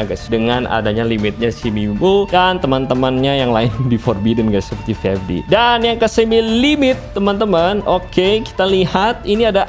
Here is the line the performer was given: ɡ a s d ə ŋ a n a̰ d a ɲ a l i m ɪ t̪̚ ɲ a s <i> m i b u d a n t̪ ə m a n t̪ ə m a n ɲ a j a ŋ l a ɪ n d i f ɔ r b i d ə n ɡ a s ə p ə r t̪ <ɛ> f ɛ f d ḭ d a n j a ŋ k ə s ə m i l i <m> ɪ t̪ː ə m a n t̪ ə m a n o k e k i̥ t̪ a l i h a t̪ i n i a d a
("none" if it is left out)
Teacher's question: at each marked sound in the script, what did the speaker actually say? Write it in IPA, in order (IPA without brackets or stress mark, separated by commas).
i, i, m